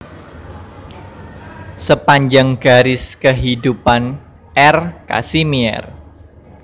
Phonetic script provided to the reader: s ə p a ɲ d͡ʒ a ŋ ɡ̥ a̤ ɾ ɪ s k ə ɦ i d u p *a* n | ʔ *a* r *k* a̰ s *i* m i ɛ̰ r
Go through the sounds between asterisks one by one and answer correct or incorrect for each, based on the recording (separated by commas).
correct, incorrect, correct, correct